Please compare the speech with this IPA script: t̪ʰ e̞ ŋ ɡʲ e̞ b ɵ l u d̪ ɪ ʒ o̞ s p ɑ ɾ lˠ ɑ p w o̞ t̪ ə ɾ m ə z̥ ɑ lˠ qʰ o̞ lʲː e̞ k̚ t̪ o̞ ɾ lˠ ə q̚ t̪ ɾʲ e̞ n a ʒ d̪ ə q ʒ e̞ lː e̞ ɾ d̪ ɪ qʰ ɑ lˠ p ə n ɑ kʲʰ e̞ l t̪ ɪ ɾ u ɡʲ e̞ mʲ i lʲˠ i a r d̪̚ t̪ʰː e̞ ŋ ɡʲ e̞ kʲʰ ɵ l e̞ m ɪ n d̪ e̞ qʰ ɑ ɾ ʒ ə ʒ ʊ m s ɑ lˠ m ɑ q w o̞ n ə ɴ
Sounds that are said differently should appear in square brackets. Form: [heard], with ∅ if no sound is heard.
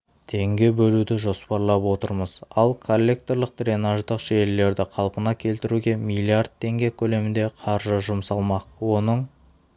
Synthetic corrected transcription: t̪ʰ e̞ ŋ ɡʲ e̞ b ɵ l u d̪ ɪ ʒ o̞ s p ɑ ɾ lˠ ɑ p w o̞ t̪ ə ɾ m ə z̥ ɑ lˠ [kʰ] o̞ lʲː e̞ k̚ t̪ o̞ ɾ lˠ ə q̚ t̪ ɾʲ e̞ n a ʒ d̪ ə q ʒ e̞ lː e̞ ɾ d̪ ɪ qʰ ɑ lˠ p ə n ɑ kʲʰ e̞ l t̪ ɪ ɾ u ɡʲ e̞ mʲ i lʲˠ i a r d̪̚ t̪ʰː e̞ ŋ ɡʲ e̞ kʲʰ ɵ l e̞ m ɪ n d̪ e̞ qʰ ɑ ɾ ʒ ə ʒ ʊ m s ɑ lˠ m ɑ q w o̞ n ə ɴ